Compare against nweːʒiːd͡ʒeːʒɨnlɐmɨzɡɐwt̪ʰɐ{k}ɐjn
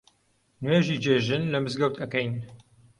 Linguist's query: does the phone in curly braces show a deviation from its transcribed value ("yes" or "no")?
no